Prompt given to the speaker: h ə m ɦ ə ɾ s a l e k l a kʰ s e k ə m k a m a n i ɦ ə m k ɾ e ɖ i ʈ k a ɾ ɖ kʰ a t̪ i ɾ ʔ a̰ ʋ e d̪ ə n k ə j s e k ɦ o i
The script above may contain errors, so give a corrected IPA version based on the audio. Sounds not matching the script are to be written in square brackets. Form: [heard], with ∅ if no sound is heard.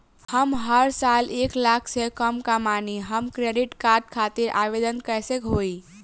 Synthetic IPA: h ə m ɦ ə ɾ s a l e k l a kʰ s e k ə m k a m a n i ɦ ə m k ɾ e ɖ i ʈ k a ɾ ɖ kʰ a t̪ i ɾ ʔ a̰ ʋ e d̪ ə n k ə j s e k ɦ o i